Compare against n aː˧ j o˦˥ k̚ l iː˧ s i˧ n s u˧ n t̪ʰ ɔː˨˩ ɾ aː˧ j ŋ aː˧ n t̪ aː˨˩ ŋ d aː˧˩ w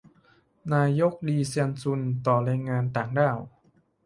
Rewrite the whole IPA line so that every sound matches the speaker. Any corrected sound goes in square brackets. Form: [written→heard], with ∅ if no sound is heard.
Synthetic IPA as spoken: n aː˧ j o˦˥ k̚ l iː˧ s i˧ n s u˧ n [t̪ʰ→t̪] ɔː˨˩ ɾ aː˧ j ŋ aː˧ n t̪ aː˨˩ ŋ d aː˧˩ w